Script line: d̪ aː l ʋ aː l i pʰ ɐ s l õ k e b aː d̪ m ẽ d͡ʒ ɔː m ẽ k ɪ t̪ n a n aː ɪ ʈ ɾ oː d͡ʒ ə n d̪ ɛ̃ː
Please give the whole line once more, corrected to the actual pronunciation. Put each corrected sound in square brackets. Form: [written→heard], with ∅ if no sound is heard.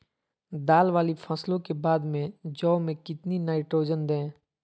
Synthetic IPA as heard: d̪ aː l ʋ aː l i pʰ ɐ s l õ k e b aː d̪ m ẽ d͡ʒ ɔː m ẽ k ɪ t̪ n [a→i] n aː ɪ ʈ ɾ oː d͡ʒ ə n d̪ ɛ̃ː